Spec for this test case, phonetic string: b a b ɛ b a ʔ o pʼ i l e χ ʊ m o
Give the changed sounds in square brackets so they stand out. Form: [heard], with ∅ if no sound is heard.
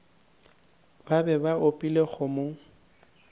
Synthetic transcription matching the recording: b a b ɛ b a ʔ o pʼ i l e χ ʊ m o